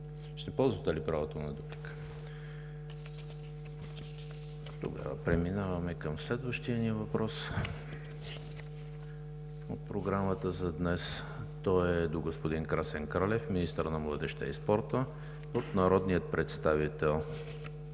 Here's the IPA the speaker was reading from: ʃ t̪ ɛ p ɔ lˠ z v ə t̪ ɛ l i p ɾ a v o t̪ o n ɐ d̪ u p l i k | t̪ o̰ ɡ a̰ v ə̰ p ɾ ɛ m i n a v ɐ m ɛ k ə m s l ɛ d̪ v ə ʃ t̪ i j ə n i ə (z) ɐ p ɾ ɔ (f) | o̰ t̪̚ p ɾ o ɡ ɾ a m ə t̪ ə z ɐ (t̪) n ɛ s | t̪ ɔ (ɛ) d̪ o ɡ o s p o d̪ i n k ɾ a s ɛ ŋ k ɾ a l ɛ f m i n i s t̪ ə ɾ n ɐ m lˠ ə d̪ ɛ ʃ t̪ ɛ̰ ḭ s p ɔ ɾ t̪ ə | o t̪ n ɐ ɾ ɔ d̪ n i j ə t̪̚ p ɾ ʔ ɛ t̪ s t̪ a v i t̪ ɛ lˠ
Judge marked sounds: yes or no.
no, no, no, yes

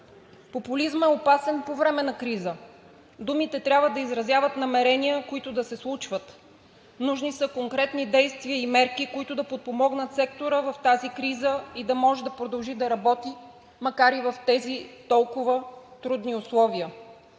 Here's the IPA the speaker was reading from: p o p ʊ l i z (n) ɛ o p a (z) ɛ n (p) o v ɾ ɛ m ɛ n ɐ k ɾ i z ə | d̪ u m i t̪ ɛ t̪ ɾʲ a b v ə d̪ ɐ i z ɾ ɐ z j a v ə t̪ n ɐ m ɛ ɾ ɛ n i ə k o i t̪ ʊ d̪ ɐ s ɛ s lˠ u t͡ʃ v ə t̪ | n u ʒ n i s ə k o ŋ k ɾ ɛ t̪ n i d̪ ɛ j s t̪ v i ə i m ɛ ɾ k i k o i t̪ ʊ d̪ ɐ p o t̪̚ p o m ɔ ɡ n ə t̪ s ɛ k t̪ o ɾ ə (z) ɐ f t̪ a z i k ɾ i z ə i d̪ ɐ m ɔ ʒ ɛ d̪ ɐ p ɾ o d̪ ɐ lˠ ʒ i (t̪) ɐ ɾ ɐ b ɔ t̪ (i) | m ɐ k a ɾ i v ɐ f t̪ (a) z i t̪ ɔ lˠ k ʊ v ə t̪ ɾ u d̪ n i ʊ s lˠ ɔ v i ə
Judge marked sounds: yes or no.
no, no, yes, no, no, yes, no

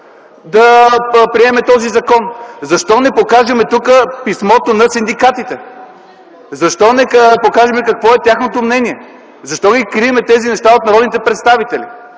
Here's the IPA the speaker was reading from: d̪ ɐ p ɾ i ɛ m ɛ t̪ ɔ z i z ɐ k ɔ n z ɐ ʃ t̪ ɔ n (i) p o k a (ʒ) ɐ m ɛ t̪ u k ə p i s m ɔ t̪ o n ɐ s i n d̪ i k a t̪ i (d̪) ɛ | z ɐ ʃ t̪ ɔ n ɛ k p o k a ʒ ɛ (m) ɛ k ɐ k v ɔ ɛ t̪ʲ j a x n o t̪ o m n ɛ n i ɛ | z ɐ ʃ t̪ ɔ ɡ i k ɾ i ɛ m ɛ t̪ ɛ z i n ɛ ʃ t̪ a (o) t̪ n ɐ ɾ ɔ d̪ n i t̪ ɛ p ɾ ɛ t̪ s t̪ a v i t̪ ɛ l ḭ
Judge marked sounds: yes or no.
no, yes, no, yes, yes

